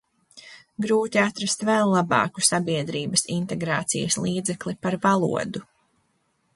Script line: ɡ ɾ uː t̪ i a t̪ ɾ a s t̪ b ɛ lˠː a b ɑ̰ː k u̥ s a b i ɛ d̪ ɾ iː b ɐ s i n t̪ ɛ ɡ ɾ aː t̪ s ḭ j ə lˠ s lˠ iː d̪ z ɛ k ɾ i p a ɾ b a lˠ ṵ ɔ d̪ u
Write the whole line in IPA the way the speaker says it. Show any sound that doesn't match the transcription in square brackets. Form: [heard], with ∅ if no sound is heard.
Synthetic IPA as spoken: ɡ ɾ uː t̪ i a t̪ ɾ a s t̪ [v] ɛ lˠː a b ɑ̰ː k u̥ s a b i ɛ d̪ ɾ iː b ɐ s i n t̪ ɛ ɡ ɾ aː t̪ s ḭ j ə [∅] s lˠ iː d̪ z ɛ k [l] i p a ɾ [v] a lˠ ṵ ɔ d̪ u